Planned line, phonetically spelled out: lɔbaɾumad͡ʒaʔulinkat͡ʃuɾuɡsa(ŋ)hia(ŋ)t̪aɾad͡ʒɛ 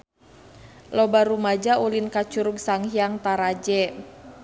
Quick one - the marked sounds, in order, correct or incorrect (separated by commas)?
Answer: correct, correct